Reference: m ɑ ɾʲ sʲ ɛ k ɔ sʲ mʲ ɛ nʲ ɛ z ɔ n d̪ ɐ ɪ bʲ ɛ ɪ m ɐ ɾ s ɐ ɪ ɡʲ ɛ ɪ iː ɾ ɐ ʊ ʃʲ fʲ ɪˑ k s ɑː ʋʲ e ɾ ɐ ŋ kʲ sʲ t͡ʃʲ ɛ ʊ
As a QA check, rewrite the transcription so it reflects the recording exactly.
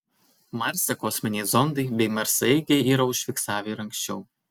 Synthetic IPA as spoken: m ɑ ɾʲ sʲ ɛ k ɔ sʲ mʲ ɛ nʲ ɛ z ɔ n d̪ ɐ ɪ bʲ ɛ ɪ m ɐ ɾ s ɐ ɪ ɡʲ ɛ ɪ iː ɾ ɐ ʊ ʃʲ fʲ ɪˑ k s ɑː ʋʲ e ɾ ɐ ŋ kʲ sʲ t͡ʃʲ ɛ ʊ